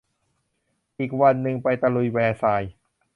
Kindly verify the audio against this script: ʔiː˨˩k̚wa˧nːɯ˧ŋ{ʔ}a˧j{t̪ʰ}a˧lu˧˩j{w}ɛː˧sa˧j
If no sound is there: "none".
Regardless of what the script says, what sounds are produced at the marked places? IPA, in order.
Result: p, t̪, w

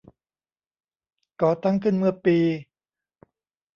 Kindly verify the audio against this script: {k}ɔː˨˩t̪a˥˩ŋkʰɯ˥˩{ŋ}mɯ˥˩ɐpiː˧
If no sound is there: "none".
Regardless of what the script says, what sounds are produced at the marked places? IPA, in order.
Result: k, n

